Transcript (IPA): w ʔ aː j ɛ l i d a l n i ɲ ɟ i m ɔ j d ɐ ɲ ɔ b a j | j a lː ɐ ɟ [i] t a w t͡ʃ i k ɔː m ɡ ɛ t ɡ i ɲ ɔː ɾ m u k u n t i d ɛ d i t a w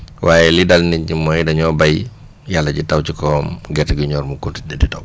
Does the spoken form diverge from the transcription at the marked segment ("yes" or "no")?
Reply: no